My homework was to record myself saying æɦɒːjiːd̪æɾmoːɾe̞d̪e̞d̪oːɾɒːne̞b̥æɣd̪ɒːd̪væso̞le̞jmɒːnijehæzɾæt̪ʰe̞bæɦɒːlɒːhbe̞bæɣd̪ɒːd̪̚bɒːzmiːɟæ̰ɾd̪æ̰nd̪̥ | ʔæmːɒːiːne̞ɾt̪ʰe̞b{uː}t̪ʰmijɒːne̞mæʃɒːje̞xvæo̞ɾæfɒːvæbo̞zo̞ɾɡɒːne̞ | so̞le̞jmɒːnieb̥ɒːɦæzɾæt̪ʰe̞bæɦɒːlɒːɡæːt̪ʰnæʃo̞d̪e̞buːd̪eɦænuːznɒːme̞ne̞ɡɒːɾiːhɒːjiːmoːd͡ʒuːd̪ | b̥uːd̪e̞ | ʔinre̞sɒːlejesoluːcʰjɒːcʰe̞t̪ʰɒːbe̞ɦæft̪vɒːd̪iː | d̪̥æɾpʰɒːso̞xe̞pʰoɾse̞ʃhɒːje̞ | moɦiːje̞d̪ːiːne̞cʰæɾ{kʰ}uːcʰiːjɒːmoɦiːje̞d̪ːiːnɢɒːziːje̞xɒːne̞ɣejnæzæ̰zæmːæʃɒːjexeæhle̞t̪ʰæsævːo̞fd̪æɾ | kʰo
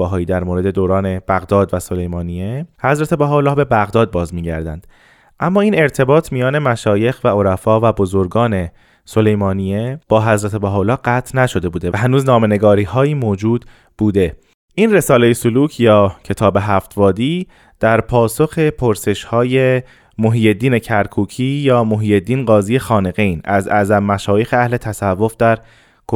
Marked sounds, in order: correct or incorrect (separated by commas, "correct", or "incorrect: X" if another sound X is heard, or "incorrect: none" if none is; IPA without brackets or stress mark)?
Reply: incorrect: ɒː, correct